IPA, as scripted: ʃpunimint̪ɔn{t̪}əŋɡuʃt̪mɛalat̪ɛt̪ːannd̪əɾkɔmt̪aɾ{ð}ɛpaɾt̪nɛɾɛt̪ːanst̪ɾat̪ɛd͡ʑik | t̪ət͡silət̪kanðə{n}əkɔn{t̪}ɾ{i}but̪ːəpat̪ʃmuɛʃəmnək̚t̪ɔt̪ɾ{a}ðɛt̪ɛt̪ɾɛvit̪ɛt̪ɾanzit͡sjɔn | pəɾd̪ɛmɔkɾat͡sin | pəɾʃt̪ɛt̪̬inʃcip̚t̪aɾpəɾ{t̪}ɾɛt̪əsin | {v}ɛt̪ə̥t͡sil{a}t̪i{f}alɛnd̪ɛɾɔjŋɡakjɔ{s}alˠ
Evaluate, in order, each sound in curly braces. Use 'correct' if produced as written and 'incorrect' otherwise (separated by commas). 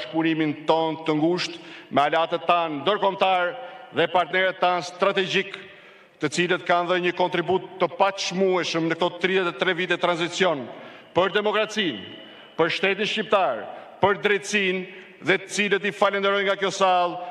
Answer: correct, correct, incorrect, correct, correct, incorrect, incorrect, incorrect, incorrect, correct, correct